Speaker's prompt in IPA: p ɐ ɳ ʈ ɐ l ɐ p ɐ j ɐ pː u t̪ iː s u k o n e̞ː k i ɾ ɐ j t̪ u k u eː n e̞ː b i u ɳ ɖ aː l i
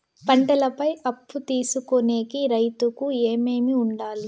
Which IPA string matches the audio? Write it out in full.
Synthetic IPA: p ɐ ɳ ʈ ɐ l ɐ p ɐ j ɐ pː u t̪ iː s u k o n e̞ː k i ɾ ɐ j t̪ u k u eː m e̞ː m i u ɳ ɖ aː l i